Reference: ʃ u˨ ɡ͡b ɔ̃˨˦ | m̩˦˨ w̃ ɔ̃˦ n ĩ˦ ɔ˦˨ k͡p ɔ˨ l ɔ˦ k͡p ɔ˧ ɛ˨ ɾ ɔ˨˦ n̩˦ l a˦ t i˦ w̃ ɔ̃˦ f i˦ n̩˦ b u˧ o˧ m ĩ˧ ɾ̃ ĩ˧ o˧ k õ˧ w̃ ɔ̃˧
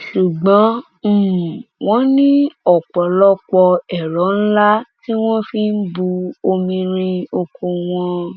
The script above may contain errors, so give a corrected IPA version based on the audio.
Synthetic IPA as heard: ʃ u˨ ɡ͡b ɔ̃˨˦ | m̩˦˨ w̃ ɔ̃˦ n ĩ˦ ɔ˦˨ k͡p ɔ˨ l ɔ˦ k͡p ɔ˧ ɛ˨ ɾ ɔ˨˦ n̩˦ l a˦ t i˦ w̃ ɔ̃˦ f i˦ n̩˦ b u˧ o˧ m ĩ˧ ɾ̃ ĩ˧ o˧ k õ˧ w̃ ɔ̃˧

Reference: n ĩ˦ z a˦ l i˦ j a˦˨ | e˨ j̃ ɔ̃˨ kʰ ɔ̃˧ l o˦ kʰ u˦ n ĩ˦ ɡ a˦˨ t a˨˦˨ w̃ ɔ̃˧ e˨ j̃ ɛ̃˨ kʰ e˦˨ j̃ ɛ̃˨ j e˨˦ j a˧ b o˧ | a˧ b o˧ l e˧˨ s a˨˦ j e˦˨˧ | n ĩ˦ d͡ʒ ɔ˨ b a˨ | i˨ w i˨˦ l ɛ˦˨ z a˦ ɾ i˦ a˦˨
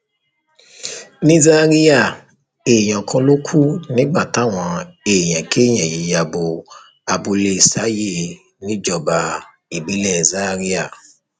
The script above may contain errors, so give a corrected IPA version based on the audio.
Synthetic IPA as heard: n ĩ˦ z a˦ ɾ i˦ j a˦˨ | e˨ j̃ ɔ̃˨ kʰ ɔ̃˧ l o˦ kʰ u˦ n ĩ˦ ɡ͡b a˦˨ t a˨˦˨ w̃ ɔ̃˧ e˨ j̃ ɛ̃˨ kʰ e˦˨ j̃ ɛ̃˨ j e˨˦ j a˧ b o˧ | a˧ b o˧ l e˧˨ s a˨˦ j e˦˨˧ | n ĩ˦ d͡ʒ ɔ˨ b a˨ | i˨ b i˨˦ l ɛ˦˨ z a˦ ɾ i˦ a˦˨

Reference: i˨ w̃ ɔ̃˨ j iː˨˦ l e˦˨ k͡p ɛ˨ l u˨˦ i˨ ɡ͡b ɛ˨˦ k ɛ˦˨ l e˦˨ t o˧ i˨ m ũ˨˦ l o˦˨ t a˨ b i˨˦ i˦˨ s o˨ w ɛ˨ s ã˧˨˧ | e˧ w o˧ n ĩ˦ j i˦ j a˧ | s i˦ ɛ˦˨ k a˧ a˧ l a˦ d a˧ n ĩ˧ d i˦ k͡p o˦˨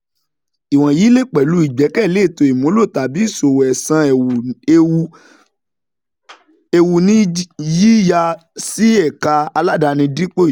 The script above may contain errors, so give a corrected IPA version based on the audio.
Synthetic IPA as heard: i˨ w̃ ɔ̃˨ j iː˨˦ l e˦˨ k͡p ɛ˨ l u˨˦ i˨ ɡ͡b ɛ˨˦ k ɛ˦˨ l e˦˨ t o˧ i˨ m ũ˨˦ l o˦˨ t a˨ b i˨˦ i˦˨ s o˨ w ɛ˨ s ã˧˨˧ | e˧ w u˧ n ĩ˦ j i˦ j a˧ | s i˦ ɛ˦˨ k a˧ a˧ l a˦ d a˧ n ĩ˧ d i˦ k͡p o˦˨

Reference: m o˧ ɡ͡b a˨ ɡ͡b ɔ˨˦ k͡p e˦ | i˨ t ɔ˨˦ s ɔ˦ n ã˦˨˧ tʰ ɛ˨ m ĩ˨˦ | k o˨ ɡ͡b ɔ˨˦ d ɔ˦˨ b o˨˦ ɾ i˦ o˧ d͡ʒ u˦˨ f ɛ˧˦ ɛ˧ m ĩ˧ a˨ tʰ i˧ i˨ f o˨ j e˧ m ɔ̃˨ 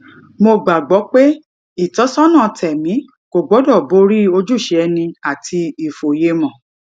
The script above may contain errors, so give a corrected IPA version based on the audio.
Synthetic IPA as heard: m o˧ ɡ͡b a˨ ɡ͡b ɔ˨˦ k͡p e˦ | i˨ t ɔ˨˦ s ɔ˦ n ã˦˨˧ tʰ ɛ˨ m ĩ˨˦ | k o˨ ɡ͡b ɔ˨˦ d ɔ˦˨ b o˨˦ ɾ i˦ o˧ d͡ʒ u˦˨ ʃ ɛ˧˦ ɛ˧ n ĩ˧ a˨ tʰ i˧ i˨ f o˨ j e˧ m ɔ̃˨

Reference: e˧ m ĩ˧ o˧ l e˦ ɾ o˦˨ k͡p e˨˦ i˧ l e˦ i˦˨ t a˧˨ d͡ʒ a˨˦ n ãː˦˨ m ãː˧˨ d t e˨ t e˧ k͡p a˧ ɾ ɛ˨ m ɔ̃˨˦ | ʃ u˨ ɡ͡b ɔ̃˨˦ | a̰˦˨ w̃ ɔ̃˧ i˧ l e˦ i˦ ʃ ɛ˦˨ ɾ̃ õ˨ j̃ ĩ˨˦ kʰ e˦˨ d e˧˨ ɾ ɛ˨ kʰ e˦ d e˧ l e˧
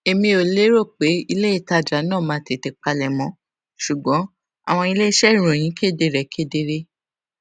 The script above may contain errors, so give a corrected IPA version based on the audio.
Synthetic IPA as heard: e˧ m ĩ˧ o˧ l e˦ ɾ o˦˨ k͡p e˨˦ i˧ l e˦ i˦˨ t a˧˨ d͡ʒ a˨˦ n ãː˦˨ m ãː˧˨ t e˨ t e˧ k͡p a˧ l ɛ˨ m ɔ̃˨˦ | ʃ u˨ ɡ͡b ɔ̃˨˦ | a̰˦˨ w̃ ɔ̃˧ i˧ l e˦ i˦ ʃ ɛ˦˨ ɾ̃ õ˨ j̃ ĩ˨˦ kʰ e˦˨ d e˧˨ ɾ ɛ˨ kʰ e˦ d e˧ ɾ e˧

